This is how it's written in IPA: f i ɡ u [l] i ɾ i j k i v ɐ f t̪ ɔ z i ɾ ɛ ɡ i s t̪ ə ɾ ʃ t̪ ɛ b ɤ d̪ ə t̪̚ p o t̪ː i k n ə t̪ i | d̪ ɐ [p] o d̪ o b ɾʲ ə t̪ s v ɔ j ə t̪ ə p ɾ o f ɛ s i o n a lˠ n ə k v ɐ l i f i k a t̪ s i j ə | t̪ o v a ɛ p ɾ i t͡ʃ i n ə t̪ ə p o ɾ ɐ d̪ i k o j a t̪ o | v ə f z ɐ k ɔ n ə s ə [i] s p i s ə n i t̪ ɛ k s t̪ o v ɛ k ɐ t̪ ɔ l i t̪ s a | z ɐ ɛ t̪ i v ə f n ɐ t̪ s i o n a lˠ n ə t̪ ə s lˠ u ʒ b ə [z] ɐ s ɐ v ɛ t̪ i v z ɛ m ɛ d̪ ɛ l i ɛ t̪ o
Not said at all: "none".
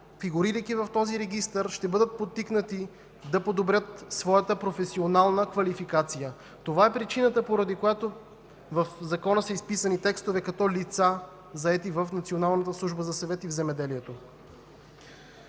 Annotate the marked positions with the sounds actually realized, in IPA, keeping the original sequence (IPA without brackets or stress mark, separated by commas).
ɾ, p, i, z